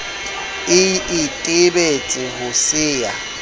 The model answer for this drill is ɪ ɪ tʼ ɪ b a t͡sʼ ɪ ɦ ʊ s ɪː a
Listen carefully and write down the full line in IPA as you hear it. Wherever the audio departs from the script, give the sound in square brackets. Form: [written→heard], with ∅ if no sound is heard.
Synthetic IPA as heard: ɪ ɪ tʼ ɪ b [a→e] t͡sʼ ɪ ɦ ʊ s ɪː a